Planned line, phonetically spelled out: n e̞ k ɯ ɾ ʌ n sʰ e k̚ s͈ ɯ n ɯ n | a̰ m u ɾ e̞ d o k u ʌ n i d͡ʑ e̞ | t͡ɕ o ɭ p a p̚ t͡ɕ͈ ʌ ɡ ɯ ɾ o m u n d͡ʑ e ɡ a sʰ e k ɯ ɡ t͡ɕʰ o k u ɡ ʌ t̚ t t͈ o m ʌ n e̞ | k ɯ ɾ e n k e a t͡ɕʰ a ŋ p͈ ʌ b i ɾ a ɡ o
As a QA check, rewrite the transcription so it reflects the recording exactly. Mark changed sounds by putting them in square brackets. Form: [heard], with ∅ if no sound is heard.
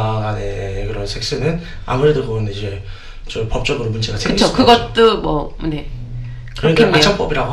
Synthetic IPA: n e̞ k ɯ ɾ ʌ n sʰ e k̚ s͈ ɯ n ɯ n | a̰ m u ɾ e̞ d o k [ɯ] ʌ n i d͡ʑ e̞ | t͡ɕ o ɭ p [ʌ] p̚ t͡ɕ͈ ʌ ɡ ɯ ɾ o m u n d͡ʑ e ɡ a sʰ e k ɯ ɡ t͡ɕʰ o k [ɯ] ɡ ʌ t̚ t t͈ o m ʌ n e̞ | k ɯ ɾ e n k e a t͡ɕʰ a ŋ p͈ ʌ b i ɾ a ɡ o